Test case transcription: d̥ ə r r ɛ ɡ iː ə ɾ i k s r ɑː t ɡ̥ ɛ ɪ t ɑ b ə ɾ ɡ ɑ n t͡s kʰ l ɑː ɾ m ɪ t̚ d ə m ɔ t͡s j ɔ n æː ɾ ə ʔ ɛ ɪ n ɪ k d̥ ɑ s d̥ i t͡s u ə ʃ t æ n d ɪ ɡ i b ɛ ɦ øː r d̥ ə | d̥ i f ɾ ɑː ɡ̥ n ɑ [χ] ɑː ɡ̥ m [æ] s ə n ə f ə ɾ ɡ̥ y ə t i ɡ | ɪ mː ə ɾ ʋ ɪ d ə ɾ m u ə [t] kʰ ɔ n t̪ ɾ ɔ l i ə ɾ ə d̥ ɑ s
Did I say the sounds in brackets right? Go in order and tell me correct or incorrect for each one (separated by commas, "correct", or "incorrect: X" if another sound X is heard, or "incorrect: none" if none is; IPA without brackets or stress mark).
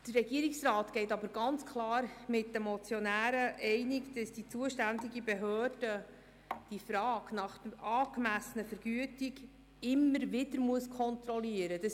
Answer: correct, correct, incorrect: s